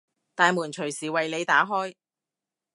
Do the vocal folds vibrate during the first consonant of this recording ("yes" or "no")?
no